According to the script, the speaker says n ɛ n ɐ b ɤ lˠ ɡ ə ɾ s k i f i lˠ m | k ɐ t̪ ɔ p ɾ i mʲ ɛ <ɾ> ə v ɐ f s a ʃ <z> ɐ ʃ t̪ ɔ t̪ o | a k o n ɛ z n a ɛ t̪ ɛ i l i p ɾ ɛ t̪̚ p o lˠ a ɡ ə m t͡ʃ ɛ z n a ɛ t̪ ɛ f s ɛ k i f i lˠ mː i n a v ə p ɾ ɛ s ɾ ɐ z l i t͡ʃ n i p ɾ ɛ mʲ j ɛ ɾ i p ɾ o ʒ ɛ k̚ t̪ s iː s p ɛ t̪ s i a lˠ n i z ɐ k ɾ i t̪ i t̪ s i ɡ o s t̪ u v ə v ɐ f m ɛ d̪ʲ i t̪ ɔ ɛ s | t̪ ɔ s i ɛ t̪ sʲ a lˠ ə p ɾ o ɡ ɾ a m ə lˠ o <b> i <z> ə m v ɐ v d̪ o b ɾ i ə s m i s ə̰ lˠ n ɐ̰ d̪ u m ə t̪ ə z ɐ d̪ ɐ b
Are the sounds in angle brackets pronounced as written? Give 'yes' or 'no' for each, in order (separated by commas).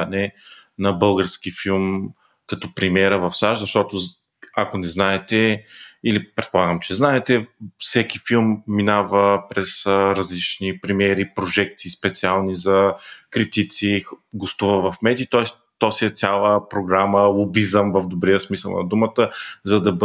yes, yes, yes, yes